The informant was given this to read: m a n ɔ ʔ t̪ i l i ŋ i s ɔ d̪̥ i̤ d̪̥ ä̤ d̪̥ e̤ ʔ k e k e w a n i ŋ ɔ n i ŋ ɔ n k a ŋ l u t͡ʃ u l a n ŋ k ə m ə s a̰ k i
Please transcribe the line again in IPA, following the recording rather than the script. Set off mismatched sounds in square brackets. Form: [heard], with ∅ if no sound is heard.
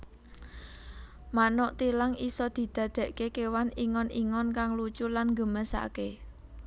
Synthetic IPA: m a n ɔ ʔ t̪ i l [a] ŋ i s ɔ d̪̥ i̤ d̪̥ ä̤ d̪̥ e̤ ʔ k e k e w a n i ŋ ɔ n i ŋ ɔ n k a ŋ l u t͡ʃ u l a n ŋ [ɡ] ə m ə s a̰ k [e]